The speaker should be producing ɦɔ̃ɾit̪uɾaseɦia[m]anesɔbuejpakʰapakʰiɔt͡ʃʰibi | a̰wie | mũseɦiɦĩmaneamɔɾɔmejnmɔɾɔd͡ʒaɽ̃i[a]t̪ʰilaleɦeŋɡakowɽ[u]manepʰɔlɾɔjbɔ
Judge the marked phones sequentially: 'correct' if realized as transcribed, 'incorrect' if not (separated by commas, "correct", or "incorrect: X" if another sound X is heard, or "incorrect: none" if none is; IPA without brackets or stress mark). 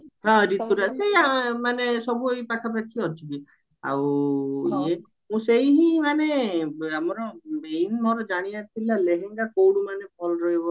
correct, correct, correct